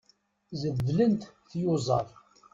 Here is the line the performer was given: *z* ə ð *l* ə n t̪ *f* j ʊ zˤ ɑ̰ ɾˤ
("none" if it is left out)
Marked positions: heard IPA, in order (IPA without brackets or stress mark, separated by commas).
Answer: z, l, θ